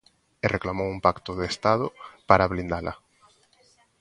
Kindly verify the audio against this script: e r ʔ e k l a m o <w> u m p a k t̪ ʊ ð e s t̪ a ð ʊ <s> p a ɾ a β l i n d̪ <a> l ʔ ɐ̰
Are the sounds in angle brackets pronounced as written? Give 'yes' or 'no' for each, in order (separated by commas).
yes, no, yes